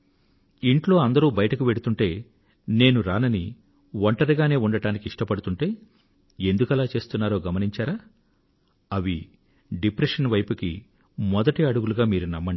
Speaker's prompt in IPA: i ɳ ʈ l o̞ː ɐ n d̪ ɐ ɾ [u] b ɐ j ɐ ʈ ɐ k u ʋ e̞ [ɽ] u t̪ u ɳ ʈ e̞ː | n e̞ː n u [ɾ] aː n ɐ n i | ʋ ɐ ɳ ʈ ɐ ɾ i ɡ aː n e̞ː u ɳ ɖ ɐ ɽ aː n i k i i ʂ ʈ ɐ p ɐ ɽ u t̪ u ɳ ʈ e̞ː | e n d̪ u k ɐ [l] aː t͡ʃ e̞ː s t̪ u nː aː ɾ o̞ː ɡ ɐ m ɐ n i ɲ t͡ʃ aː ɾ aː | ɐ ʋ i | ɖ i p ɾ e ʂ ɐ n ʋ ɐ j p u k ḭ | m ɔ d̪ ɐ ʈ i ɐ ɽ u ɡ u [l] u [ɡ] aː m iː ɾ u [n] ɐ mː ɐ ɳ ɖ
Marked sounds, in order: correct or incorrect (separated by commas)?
incorrect, correct, correct, correct, correct, correct, correct